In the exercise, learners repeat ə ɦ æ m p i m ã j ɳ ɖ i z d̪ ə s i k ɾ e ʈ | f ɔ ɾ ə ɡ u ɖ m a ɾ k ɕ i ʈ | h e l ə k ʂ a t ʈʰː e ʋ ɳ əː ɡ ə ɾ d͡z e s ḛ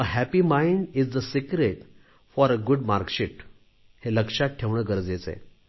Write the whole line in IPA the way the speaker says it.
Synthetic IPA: ə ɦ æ p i m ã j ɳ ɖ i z d̪ ə s i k ɾ e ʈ | f ɔ ɾ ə ɡ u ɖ m a ɾ k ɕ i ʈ | h e l ə k ʂ a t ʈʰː e ʋ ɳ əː ɡ ə ɾ d͡z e t͡s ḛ